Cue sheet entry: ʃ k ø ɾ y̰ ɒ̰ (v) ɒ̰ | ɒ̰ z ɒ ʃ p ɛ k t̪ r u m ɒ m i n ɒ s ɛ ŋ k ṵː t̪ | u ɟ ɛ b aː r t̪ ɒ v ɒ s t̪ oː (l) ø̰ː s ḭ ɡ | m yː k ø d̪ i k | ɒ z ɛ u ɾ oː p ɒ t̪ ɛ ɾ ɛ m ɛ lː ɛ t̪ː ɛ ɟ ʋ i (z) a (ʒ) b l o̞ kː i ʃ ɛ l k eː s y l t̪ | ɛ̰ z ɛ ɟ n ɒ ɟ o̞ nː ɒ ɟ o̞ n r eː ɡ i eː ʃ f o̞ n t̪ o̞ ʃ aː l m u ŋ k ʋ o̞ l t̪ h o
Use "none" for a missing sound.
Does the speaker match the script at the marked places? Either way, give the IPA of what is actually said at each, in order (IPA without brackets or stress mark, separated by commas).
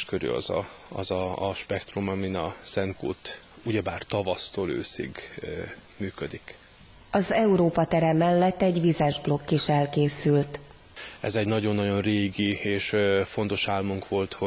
z, l, z, ʒ